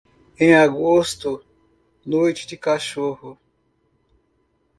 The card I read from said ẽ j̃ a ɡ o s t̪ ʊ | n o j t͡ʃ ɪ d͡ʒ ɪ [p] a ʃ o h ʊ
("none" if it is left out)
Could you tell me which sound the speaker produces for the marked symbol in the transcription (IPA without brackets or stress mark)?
k